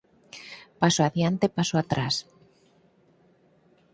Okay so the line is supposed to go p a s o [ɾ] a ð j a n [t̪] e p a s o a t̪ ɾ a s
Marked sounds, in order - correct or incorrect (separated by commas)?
incorrect, correct